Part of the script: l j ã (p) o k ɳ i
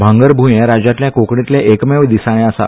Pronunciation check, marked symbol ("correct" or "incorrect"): incorrect